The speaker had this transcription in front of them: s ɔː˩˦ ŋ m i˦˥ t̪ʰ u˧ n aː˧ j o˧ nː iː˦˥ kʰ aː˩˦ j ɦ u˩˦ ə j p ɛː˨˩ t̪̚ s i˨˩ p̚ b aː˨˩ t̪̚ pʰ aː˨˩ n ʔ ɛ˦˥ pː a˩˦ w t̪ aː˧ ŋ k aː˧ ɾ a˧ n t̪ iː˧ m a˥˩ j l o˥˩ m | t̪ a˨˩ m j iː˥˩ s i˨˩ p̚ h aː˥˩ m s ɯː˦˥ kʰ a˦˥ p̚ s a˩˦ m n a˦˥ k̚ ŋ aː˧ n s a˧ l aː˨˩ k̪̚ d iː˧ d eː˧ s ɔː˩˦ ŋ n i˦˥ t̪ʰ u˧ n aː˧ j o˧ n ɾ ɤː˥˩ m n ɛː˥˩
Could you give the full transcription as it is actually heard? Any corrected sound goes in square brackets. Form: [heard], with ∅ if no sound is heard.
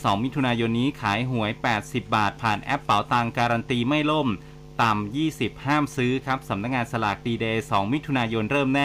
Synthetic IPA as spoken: s ɔː˩˦ ŋ m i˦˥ t̪ʰ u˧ n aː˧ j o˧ nː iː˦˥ kʰ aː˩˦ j ɦ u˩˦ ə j p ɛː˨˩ t̪̚ s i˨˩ p̚ b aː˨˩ t̪̚ pʰ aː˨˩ n ʔ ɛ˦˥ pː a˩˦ w t̪ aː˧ ŋ k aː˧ ɾ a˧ n t̪ iː˧ m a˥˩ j l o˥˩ m | t̪ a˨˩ m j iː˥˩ s i˨˩ p̚ h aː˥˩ m s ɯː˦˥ kʰ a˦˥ p̚ s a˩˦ m n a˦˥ k̚ ŋ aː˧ n s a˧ l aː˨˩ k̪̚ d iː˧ d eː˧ s ɔː˩˦ ŋ [m] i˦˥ t̪ʰ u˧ n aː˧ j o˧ n ɾ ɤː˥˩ m n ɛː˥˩